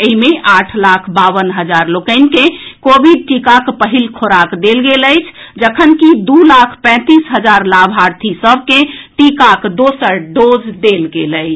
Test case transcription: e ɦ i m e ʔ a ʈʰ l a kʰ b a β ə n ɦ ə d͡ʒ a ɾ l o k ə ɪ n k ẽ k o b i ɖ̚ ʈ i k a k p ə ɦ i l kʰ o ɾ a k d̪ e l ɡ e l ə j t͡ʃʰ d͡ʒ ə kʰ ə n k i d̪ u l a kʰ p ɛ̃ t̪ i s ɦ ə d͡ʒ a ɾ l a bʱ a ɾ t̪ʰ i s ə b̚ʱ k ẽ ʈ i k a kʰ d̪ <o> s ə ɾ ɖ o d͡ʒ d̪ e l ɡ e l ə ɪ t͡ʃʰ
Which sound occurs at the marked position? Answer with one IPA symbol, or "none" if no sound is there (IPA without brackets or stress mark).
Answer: o